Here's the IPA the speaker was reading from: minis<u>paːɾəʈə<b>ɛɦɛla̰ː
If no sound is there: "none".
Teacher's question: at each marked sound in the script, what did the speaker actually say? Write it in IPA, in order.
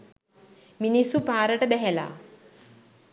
u, b

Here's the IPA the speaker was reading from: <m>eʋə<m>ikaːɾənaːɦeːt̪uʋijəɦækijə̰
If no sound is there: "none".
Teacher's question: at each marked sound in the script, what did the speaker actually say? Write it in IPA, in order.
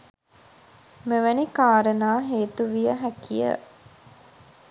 m, n

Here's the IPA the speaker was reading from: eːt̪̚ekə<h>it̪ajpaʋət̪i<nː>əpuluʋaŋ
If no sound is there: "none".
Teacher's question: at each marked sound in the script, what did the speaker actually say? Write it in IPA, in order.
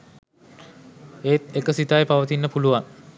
s, nː

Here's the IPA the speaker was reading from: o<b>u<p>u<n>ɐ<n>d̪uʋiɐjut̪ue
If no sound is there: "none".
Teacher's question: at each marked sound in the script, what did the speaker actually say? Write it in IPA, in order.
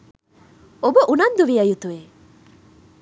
b, ʔ, n, n

